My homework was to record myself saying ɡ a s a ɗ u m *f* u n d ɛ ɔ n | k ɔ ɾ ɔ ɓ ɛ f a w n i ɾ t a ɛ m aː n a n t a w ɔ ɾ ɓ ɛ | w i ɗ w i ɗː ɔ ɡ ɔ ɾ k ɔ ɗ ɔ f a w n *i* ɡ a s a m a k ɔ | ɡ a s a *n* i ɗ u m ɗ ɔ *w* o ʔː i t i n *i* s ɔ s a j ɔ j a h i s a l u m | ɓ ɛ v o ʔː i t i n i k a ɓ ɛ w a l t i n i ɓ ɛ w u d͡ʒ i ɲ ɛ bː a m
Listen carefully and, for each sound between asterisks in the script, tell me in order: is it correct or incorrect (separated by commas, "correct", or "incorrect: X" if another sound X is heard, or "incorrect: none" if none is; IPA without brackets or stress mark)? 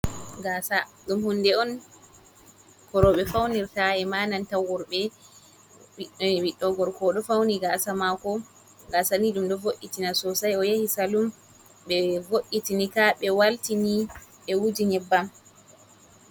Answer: incorrect: h, correct, correct, incorrect: v, incorrect: a